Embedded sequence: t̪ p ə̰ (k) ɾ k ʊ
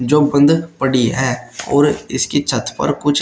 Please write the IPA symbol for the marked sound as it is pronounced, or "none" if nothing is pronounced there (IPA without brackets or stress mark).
none